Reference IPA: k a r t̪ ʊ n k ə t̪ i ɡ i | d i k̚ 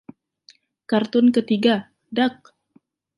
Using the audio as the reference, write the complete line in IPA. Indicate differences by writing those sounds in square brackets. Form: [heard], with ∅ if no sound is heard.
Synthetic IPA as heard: k a r t̪ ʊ n k ə t̪ i ɡ [a] | d [a] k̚